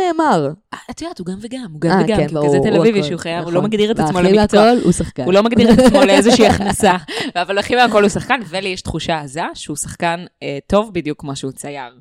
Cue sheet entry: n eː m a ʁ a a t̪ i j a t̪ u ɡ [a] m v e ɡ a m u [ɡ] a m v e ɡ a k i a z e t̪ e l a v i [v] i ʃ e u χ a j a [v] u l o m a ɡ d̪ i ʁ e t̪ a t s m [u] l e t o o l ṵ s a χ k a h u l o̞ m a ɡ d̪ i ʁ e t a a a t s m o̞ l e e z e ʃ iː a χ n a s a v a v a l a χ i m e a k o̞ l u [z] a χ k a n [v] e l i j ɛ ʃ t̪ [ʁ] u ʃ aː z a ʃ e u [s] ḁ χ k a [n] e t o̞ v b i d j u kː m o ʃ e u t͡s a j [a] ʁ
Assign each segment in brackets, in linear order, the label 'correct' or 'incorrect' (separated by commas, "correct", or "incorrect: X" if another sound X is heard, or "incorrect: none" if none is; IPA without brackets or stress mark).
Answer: correct, correct, correct, correct, incorrect: o, incorrect: s, correct, incorrect: χ, correct, correct, correct